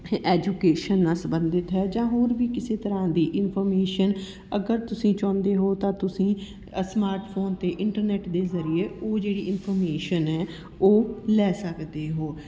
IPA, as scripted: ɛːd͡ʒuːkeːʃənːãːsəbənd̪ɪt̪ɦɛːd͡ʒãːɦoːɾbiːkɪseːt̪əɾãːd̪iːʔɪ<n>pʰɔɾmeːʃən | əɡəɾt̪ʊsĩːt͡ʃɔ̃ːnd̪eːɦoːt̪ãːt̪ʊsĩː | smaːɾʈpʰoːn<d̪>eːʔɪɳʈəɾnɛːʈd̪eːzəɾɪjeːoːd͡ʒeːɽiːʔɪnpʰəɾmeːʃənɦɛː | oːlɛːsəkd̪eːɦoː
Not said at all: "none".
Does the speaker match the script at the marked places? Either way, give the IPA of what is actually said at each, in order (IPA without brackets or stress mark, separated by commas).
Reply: n, t̪